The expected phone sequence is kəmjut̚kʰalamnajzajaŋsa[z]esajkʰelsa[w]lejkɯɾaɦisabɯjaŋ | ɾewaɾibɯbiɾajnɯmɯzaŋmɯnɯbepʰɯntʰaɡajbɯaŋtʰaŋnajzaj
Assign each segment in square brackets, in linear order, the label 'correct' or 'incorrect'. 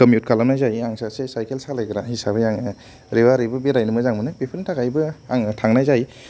incorrect, incorrect

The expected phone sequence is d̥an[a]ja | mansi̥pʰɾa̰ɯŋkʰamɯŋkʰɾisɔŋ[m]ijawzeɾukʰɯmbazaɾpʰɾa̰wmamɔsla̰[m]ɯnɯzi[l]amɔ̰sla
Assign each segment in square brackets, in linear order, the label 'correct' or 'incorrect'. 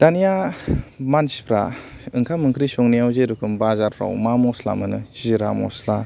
incorrect, incorrect, correct, incorrect

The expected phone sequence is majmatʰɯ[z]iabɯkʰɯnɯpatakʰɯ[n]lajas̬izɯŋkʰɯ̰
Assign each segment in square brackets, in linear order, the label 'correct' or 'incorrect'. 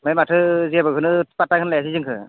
correct, correct

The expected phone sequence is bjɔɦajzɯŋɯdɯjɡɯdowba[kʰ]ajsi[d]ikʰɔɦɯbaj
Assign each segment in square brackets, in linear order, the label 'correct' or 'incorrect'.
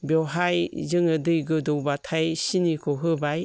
incorrect, incorrect

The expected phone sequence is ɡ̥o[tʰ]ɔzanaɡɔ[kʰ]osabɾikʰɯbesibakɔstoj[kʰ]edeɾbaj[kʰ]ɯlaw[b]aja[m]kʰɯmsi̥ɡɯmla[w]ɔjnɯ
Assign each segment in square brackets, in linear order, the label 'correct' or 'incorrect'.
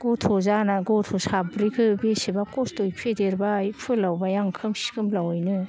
correct, incorrect, incorrect, incorrect, correct, incorrect, correct

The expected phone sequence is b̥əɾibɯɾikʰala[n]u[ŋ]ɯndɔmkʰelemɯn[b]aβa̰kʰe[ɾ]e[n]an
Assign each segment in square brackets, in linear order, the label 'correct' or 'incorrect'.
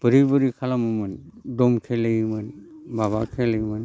incorrect, incorrect, correct, incorrect, incorrect

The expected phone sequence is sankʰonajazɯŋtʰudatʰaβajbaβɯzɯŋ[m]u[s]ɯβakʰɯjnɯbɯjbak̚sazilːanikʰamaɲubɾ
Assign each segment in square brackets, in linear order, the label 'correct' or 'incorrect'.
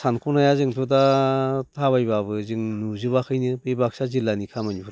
incorrect, incorrect

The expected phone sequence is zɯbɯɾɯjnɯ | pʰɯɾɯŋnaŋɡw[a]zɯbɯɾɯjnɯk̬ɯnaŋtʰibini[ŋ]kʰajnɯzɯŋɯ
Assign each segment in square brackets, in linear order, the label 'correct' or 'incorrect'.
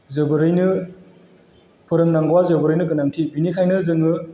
correct, incorrect

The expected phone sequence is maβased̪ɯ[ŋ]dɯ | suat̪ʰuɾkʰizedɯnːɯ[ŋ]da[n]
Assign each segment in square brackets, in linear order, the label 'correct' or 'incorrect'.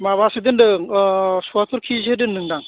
incorrect, correct, incorrect

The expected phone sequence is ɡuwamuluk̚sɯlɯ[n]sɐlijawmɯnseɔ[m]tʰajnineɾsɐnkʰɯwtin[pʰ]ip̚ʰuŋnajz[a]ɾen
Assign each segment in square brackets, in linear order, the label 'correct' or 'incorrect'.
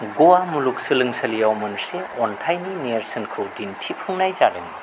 incorrect, incorrect, incorrect, correct

